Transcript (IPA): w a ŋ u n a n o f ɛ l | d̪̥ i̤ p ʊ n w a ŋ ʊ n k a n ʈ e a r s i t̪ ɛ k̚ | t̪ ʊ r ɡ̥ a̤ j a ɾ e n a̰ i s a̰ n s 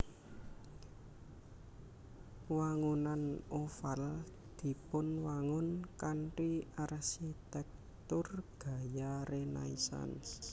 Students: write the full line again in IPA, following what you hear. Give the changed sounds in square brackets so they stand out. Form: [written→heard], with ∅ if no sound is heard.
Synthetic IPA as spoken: w a ŋ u n a n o f [ɛ→a] l | d̪̥ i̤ p ʊ n w a ŋ ʊ n k a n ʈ [e→i] a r s i t̪ ɛ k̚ | t̪ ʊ r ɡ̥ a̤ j a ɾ e n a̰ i s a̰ n s